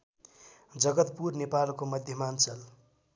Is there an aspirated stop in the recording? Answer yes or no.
no